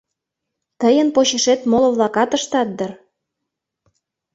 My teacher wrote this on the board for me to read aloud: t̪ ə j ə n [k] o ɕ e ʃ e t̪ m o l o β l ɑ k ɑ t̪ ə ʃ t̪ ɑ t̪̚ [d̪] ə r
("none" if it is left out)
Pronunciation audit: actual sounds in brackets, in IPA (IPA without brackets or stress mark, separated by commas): p, d̪